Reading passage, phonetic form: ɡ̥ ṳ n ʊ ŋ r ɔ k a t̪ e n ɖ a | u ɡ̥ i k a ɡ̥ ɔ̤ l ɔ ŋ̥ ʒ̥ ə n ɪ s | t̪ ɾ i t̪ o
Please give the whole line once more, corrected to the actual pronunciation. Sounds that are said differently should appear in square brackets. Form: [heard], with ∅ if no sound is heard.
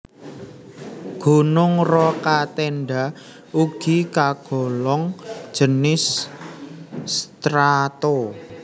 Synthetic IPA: ɡ̥ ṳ n ʊ ŋ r ɔ k a t̪ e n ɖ a | u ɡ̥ i k a ɡ̥ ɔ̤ l ɔ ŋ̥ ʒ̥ ə n ɪ s | t̪ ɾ [a] t̪ o